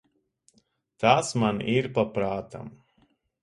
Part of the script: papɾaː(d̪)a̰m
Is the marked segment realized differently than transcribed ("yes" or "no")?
yes